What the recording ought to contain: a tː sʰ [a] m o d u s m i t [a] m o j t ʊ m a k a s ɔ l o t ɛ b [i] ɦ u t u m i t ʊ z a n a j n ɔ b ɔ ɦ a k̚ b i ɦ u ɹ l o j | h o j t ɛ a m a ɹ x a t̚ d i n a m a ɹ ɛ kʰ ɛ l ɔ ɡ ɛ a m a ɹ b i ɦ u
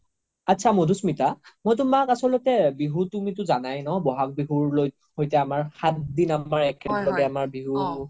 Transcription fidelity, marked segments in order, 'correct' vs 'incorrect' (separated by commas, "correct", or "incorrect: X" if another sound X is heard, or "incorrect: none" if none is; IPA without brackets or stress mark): correct, correct, correct